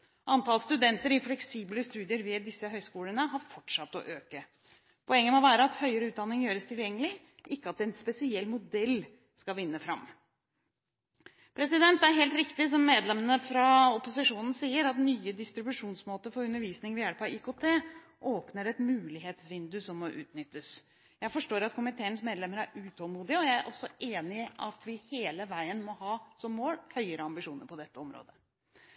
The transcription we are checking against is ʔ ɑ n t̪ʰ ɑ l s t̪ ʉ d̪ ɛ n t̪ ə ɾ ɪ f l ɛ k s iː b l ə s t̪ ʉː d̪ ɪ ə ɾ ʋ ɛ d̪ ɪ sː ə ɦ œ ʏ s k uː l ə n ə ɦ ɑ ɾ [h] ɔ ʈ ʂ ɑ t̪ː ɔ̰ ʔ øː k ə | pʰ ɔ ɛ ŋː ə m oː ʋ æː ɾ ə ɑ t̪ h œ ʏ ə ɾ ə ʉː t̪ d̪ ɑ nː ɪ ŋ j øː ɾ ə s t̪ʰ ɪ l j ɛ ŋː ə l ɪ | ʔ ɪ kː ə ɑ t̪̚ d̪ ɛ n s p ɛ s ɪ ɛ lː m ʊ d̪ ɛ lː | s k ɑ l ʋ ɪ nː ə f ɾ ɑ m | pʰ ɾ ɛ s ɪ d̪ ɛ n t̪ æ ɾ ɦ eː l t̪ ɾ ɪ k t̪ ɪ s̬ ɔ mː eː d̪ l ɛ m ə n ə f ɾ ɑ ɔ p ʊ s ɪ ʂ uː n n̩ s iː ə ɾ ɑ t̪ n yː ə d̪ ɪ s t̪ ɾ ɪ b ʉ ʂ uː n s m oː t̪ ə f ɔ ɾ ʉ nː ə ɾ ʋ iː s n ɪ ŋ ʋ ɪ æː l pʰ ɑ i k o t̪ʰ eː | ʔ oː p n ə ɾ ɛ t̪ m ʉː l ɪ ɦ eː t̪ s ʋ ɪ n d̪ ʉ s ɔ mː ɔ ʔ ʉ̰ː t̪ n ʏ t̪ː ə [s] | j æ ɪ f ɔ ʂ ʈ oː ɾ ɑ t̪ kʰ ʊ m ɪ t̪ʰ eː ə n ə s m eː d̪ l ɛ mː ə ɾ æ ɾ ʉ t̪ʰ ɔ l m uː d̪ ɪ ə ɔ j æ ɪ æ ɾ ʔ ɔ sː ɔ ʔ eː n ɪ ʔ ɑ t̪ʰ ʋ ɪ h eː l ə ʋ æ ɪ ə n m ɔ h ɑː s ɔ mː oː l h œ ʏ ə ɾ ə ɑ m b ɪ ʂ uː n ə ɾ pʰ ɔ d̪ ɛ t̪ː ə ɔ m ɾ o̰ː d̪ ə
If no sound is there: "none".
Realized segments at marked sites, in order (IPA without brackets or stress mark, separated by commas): f, s